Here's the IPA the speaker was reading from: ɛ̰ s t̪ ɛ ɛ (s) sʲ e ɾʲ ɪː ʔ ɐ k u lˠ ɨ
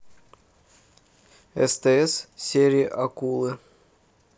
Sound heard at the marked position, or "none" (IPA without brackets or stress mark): s